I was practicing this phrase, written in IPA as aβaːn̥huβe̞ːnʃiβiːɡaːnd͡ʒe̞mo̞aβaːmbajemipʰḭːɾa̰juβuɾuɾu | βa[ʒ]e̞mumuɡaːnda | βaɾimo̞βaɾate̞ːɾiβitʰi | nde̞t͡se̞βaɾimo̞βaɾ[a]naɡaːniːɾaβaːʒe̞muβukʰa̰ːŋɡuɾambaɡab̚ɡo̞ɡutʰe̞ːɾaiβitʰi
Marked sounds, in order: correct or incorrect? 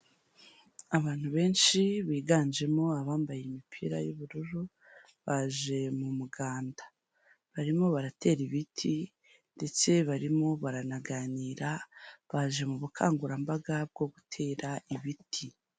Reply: correct, correct

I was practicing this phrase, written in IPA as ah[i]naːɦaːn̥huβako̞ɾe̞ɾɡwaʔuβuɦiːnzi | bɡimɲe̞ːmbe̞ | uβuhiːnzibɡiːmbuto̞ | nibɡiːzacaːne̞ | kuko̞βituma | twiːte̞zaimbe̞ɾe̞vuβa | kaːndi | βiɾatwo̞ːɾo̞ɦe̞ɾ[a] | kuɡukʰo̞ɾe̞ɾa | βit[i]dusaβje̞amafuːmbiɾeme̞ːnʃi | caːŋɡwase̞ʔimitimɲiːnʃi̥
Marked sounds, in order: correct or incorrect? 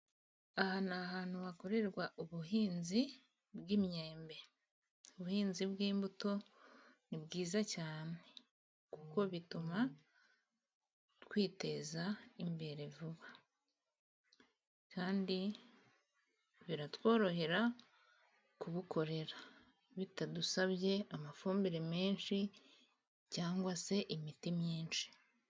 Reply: incorrect: a, correct, incorrect: a

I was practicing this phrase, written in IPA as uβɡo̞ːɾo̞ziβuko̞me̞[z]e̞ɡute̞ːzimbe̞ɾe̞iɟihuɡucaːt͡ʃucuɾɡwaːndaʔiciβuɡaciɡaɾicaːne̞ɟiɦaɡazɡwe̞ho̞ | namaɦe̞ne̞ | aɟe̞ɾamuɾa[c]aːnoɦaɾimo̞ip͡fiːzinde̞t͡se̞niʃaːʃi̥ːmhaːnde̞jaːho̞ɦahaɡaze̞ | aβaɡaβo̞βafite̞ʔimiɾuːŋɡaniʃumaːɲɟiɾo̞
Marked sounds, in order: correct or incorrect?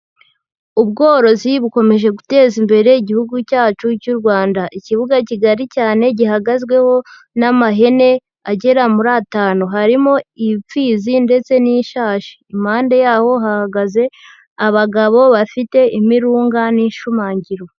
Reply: incorrect: ʒ, incorrect: t

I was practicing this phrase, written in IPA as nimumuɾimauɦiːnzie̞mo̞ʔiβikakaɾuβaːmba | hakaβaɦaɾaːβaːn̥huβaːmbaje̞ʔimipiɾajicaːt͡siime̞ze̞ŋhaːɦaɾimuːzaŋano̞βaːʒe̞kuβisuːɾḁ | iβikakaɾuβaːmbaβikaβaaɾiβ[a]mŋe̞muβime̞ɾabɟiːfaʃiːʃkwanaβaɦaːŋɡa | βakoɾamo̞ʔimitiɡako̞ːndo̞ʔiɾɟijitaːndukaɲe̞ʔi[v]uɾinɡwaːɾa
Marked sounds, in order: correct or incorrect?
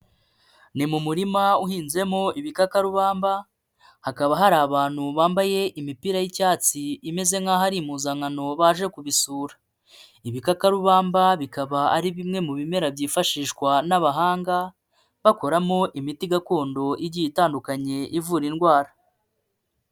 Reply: incorrect: i, correct

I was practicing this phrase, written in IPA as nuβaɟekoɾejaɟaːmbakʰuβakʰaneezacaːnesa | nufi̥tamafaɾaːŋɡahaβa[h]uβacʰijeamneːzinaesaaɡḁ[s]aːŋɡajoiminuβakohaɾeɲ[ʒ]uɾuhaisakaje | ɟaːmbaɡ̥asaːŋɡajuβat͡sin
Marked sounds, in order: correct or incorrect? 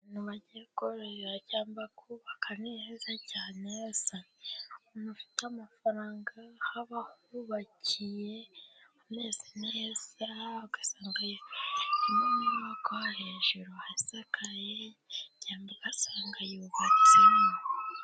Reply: correct, correct, correct

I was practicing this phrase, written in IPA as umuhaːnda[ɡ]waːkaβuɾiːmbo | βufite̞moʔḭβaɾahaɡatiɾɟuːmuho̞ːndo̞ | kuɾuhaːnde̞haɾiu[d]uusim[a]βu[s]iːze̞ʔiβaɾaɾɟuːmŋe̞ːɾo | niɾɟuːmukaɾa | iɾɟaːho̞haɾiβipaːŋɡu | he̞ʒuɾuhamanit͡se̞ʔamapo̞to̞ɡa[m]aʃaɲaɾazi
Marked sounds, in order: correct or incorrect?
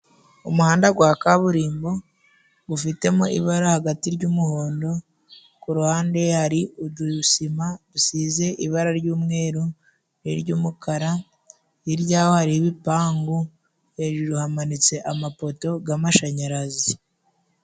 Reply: correct, correct, correct, correct, correct

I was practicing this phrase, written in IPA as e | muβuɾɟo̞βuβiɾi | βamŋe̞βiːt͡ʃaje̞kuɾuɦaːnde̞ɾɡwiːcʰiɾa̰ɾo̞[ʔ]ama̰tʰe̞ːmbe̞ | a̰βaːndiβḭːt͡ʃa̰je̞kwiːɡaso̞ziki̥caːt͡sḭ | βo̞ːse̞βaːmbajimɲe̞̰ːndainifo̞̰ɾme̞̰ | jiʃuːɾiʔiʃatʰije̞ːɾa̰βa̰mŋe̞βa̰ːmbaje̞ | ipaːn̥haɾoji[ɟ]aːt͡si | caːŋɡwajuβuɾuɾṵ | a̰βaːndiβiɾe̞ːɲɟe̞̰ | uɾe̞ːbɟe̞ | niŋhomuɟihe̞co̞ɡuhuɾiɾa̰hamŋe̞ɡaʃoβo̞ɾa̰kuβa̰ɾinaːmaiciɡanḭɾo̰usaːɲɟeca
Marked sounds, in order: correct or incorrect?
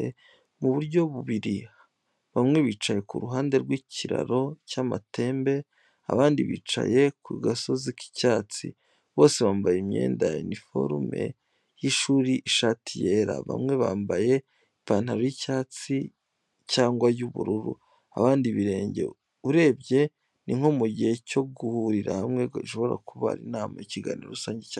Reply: incorrect: c, incorrect: c

